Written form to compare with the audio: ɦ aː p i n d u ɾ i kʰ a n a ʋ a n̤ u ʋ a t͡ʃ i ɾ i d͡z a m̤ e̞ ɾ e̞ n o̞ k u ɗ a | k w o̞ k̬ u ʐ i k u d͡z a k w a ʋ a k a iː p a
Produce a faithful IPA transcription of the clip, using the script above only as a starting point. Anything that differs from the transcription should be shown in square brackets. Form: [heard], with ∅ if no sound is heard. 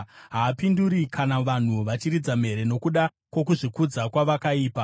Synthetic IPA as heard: ɦ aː p i n d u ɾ i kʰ a n a ʋ a n̤ u ʋ a t͡ʃ i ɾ i d͡z a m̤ e̞ ɾ e̞ n o̞ k u ɗ a | k w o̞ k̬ u ʐ i k u d͡z a k w a ʋ a k a iː p a